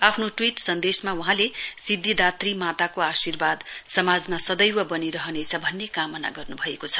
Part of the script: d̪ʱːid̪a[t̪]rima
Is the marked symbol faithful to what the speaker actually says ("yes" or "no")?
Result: yes